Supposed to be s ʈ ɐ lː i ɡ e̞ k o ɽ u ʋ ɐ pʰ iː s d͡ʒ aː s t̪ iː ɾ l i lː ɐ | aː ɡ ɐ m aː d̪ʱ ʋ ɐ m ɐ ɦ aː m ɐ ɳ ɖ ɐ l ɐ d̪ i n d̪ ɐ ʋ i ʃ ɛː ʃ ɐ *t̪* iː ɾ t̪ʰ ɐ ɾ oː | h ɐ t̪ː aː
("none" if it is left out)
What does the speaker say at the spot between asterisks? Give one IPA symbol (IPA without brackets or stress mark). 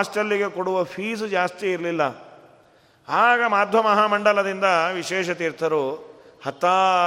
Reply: t̪